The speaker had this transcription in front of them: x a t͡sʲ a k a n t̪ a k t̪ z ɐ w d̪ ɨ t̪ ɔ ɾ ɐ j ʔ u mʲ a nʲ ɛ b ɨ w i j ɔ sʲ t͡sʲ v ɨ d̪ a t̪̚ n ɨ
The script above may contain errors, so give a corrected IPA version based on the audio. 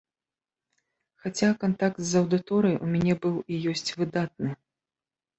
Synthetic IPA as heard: x a t͡sʲ a k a n t̪ a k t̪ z ɐ w d̪ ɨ t̪ ɔ ɾ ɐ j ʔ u mʲ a nʲ ɛ b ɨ w i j ɔ sʲ t͡sʲ v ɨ d̪ a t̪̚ n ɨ